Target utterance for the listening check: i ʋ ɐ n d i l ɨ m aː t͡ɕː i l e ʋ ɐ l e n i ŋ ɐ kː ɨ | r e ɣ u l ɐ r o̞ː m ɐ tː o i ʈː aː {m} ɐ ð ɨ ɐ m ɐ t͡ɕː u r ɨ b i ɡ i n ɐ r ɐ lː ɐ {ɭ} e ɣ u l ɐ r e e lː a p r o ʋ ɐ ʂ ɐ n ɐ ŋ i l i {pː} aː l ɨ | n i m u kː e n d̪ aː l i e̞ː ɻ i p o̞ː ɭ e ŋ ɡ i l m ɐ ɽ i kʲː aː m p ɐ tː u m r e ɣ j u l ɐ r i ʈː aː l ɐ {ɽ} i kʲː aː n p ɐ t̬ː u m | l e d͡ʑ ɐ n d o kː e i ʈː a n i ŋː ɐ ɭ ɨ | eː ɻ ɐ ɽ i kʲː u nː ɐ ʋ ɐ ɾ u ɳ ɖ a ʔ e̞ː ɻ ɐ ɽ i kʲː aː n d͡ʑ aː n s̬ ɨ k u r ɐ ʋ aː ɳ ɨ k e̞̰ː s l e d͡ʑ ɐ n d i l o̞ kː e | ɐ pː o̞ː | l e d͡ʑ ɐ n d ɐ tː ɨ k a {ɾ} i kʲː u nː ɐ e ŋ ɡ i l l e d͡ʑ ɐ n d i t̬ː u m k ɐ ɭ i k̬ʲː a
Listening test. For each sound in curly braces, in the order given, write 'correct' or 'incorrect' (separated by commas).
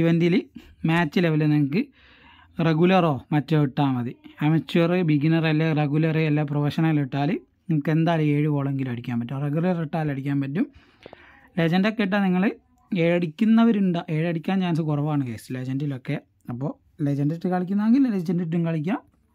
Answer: correct, incorrect, incorrect, correct, incorrect